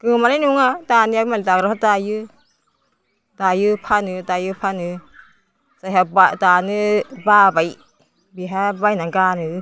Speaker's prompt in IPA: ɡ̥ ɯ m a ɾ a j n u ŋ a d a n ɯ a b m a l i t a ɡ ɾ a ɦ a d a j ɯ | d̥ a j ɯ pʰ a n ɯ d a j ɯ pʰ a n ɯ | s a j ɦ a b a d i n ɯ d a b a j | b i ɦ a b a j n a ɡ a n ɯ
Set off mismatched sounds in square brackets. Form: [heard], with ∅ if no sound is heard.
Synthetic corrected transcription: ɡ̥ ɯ m a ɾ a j n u ŋ a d a n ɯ a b m a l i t a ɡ ɾ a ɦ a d a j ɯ | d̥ a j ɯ pʰ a n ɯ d a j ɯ pʰ a n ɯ | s a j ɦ a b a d [a] n ɯ [b] a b a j | b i ɦ a b a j n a ɡ a n ɯ